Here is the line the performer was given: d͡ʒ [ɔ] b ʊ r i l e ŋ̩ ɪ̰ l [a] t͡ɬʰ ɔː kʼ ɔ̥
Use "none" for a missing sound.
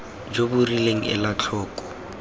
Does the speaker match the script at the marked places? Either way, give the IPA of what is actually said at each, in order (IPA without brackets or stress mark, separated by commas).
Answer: o, a